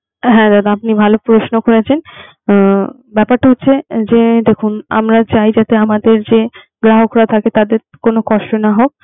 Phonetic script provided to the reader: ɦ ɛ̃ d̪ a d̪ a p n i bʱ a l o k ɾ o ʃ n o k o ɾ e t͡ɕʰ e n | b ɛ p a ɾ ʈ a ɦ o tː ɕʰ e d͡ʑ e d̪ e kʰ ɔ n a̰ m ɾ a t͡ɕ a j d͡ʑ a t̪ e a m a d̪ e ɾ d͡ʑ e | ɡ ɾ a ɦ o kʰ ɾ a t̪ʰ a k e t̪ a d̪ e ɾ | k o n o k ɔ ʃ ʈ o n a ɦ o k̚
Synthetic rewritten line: ɦ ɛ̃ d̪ a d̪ a p n i bʱ a l o p ɾ o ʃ n o k o ɾ e t͡ɕʰ e n | b ɛ p a ɾ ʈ a ɦ o tː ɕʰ e d͡ʑ e d̪ e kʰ u n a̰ m ɾ a t͡ɕ a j d͡ʑ a t̪ e a m a d̪ e ɾ d͡ʑ e | ɡ ɾ a ɦ o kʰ ɾ a t̪ʰ a k e t̪ a d̪ e ɾ | k o n o k ɔ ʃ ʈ o n a ɦ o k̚